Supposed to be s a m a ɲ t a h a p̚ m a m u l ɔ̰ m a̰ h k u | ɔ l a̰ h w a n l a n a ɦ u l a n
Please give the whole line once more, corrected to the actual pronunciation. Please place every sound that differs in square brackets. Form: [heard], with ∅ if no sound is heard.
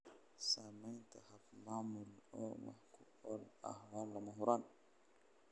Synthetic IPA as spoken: s a m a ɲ t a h a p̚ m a m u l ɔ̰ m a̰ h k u | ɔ l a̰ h w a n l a [m] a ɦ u [ɾ] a n

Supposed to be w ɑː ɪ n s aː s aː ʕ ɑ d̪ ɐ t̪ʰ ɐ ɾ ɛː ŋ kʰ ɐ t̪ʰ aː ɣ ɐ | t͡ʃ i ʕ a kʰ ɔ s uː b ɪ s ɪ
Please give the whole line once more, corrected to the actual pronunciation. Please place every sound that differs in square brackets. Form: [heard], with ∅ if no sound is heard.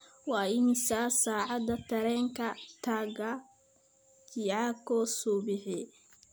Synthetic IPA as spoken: w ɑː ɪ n s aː s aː ʕ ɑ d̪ ɐ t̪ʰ ɐ ɾ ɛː ŋ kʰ ɐ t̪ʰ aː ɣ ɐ | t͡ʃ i ʕ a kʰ ɔ s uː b ɪ [ħ] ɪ

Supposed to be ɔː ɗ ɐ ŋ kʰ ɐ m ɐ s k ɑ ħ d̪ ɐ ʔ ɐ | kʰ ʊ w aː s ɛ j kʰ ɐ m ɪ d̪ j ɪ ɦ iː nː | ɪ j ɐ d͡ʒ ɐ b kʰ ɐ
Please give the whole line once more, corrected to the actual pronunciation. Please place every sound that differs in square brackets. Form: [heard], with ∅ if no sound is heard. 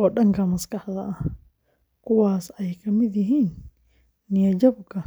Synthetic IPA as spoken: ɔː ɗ ɐ ŋ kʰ ɐ m ɐ s k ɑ ħ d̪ ɐ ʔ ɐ | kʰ ʊ w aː s ɛ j kʰ ɐ m ɪ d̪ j ɪ ɦ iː nː | ɪ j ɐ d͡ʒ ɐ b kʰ ɐ

